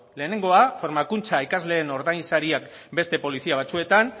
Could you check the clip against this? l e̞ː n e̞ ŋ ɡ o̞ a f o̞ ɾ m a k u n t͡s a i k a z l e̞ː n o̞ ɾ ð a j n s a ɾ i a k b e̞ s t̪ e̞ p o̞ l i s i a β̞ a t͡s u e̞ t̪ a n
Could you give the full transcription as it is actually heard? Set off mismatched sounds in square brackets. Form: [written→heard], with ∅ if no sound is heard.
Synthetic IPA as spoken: l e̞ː n e̞ ŋ ɡ o̞ a f o̞ ɾ m a k u n t͡s a i k a z l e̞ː n o̞ ɾ ð a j n s a ɾ i a k b e̞ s t̪ e̞ p o̞ l i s i a β̞ a t͡s u e̞ t̪ a n